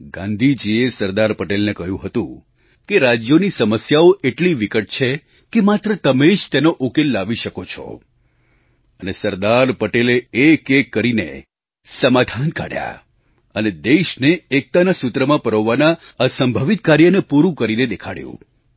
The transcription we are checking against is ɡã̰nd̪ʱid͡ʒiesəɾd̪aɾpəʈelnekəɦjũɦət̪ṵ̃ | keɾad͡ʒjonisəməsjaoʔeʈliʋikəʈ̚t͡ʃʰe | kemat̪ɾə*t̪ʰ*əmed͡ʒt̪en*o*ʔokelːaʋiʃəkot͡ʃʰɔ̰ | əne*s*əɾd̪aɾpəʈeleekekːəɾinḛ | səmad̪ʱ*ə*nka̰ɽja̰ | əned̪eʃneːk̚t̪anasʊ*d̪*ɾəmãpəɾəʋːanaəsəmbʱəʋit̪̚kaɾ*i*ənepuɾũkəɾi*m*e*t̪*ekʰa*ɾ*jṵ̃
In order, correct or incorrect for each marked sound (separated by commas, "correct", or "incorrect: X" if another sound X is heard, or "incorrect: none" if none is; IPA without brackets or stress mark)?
incorrect: t̪, correct, correct, incorrect: a, incorrect: t̪, incorrect: j, incorrect: n, incorrect: d̪, incorrect: ɽ